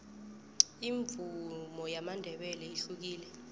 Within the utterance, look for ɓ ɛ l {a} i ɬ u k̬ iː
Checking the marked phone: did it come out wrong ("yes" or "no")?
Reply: yes